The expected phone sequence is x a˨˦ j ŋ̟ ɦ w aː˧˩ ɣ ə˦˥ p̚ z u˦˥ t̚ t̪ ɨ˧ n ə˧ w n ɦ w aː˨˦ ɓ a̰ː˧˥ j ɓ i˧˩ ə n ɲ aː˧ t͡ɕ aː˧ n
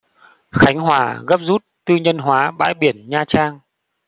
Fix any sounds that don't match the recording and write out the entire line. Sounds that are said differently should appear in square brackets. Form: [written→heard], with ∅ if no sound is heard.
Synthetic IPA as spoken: x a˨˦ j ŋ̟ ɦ w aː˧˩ ɣ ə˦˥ p̚ z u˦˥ t̚ t̪ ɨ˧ [n→ɲ] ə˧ [w→∅] n ɦ w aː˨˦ ɓ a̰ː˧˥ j ɓ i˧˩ ə n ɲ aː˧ t͡ɕ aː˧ [n→ŋ]